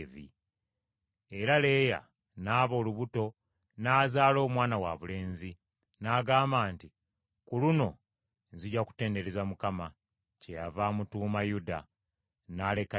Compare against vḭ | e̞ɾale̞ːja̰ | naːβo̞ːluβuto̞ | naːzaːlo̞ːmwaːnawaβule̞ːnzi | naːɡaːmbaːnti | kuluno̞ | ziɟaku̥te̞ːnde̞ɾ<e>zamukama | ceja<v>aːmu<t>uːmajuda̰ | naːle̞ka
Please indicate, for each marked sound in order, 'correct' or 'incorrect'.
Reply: correct, correct, correct

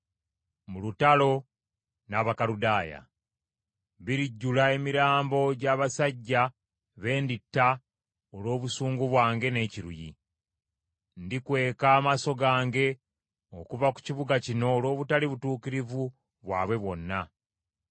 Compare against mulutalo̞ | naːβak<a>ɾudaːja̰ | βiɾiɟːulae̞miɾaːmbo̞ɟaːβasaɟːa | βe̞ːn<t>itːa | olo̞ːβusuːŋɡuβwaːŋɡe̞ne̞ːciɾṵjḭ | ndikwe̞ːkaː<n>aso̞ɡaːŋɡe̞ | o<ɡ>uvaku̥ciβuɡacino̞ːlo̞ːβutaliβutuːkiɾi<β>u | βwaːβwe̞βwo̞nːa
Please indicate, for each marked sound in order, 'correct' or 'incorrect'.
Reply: correct, incorrect, incorrect, incorrect, incorrect

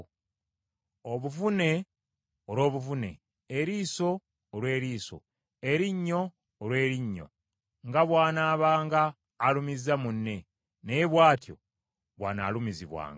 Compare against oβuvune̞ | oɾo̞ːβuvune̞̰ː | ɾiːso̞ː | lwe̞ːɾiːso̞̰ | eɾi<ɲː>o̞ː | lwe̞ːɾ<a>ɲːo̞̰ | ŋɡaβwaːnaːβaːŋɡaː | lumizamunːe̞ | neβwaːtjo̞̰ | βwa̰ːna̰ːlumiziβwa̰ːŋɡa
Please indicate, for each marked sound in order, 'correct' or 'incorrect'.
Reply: correct, incorrect

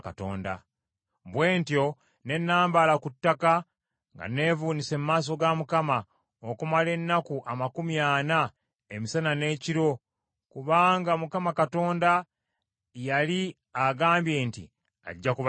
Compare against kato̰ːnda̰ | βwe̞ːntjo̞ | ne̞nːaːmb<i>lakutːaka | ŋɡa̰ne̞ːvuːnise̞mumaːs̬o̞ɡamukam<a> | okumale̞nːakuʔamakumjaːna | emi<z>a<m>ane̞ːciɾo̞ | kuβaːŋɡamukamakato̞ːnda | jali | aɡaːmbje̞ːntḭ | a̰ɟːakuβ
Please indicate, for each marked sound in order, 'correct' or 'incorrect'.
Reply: incorrect, correct, incorrect, incorrect

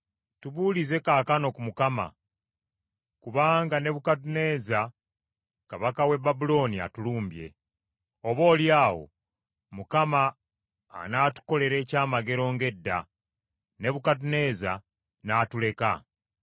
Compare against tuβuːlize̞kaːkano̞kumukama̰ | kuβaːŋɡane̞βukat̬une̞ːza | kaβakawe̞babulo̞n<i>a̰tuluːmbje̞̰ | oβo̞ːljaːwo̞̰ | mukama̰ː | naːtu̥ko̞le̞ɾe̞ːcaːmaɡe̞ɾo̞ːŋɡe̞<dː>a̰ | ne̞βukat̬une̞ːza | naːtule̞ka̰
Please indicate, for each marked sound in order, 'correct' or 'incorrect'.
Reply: correct, correct

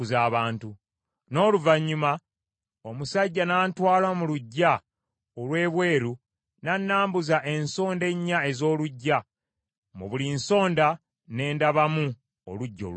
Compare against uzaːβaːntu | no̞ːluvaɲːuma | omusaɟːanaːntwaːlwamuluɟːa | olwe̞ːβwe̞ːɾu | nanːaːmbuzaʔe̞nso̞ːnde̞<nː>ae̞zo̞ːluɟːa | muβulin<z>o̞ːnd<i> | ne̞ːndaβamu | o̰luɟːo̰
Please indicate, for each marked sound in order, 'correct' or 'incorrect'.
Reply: incorrect, incorrect, incorrect

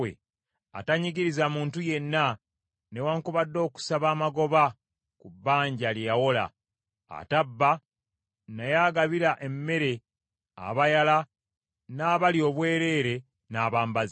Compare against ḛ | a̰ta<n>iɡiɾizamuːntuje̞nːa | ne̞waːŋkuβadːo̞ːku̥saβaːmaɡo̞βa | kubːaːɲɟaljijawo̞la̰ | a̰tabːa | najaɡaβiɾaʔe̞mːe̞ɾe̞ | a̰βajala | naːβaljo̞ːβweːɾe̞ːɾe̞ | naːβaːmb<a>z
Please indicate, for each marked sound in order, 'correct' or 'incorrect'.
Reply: incorrect, correct

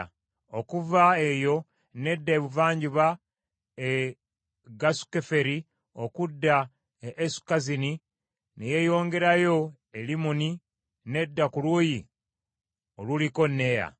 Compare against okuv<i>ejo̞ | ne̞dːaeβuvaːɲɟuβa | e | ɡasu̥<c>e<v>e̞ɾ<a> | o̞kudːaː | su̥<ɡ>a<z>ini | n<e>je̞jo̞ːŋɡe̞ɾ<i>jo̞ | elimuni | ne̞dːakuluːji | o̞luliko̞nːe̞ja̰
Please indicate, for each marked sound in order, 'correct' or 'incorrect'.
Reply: incorrect, incorrect, incorrect, incorrect, incorrect, correct, correct, incorrect

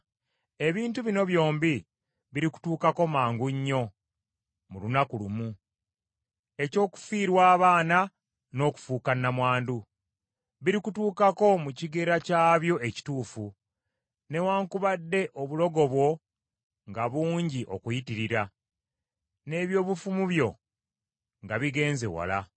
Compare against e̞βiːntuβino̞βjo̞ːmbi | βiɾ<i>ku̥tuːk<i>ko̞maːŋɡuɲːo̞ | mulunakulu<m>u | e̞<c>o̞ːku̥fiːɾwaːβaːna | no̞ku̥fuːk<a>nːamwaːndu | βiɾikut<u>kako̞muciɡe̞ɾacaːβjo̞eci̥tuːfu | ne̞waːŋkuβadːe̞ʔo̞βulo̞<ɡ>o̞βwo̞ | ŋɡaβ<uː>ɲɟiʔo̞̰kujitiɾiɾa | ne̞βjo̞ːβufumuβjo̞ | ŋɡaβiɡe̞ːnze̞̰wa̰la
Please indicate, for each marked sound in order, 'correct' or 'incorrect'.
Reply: correct, incorrect, correct, correct, correct, incorrect, correct, correct

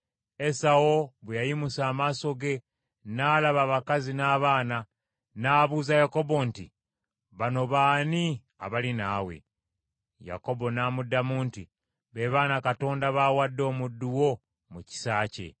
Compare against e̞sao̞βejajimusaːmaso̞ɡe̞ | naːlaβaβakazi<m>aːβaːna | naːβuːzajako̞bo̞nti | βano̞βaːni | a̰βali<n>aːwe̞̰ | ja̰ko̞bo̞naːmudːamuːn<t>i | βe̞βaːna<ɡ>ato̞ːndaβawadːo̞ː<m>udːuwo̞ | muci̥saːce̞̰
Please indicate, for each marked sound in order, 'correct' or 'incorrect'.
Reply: incorrect, correct, correct, incorrect, correct

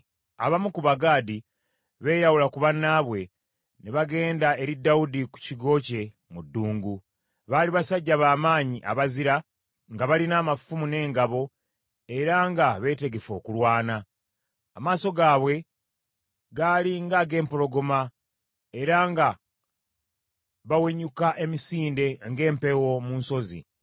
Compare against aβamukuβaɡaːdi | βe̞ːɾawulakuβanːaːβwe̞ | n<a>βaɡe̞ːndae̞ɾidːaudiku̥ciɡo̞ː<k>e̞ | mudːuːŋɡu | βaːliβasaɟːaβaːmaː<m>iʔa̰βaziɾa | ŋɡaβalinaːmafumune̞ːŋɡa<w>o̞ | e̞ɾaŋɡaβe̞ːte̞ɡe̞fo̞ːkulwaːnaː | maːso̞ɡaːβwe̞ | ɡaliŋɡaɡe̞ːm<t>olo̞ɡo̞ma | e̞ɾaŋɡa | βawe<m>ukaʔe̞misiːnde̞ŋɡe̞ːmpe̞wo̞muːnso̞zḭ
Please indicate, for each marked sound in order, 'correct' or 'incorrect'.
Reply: incorrect, incorrect, incorrect, incorrect, incorrect, incorrect

